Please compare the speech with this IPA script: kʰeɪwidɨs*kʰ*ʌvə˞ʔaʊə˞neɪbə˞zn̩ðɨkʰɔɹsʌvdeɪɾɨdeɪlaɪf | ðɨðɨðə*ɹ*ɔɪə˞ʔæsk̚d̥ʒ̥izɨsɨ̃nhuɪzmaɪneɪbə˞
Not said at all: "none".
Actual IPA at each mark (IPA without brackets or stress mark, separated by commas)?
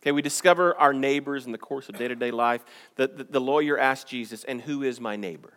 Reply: k, l